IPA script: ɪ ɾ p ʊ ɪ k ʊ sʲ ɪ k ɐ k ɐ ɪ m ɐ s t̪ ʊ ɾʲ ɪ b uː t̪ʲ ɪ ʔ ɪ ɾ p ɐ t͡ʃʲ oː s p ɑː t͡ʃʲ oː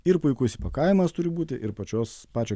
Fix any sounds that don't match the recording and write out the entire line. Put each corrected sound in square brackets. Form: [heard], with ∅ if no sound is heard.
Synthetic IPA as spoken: ɪ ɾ p ʊ ɪ k ʊ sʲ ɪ [p] ɐ k ɐ ɪ m ɐ s t̪ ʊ ɾʲ ɪ b uː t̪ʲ ɪ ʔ ɪ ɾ p ɐ t͡ʃʲ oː s p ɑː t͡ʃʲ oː